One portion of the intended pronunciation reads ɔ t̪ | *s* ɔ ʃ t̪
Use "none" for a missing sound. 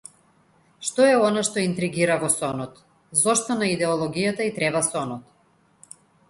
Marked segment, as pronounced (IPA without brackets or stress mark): z